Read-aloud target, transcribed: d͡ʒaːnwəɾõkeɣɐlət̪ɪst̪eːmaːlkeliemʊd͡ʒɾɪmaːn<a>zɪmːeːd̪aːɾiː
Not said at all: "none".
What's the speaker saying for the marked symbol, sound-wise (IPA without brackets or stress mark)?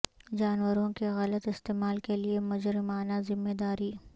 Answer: a